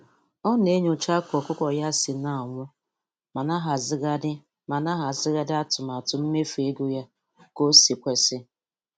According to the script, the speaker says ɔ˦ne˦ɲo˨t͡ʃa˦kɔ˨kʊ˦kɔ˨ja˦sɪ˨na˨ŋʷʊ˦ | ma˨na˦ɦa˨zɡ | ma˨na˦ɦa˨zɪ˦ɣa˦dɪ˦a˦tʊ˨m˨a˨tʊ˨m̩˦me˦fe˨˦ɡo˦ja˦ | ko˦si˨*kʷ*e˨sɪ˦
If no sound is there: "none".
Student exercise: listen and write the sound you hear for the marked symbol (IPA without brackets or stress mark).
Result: kʷ